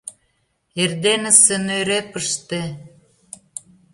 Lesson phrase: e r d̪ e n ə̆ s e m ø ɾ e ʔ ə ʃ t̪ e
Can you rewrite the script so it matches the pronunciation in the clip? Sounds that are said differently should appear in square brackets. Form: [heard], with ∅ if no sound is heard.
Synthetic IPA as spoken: e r d̪ e n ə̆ s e [n] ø ɾ e [p] ə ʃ t̪ e